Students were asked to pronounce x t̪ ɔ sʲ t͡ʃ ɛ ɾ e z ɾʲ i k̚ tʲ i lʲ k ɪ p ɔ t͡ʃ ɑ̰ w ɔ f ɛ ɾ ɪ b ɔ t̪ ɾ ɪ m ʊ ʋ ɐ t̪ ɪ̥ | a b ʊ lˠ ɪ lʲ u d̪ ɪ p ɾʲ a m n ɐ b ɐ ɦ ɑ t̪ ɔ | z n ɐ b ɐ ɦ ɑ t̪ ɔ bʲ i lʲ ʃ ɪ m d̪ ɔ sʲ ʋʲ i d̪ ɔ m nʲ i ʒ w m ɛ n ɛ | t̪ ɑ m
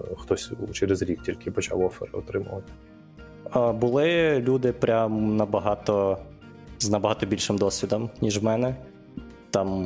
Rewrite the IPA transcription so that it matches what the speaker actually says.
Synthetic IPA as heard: x t̪ ɔ sʲ t͡ʃ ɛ ɾ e z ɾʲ i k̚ tʲ i lʲ k ɪ p ɔ t͡ʃ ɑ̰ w ɔ f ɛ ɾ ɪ ɔ t̪ ɾ ɪ m ʊ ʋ ɐ t̪ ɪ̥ | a b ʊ lˠ ɪ lʲ u d̪ ɪ p ɾʲ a m n ɐ b ɐ ɦ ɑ t̪ ɔ | z n ɐ b ɐ ɦ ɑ t̪ ɔ bʲ i lʲ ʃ ɪ m d̪ ɔ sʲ ʋʲ i d̪ ɔ m nʲ i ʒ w m ɛ n ɛ | t̪ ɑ m